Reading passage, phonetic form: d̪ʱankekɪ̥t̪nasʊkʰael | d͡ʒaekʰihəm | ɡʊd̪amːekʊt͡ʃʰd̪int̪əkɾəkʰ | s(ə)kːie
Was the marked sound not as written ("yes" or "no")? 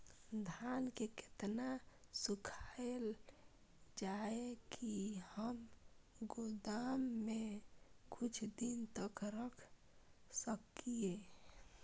no